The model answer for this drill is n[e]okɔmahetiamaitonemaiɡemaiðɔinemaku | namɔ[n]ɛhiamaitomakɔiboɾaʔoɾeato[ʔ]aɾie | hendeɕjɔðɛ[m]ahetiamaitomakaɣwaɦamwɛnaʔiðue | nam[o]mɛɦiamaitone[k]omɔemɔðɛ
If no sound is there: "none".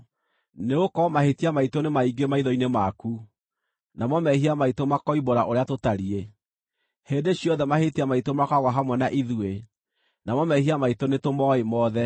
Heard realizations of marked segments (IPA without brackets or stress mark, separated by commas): e, m, t, m, ɔ, t